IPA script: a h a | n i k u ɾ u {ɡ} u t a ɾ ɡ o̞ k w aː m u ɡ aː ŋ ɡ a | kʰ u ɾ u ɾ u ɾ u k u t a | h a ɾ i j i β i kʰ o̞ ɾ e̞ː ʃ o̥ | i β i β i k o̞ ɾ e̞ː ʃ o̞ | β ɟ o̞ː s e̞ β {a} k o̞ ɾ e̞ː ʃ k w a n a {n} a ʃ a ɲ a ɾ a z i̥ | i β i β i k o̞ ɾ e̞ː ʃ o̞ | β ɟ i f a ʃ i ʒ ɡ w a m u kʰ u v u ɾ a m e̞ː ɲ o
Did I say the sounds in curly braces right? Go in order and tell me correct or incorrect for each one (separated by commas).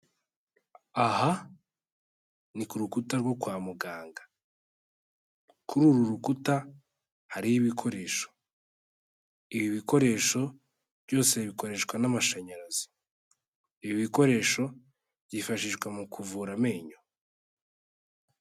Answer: incorrect, incorrect, incorrect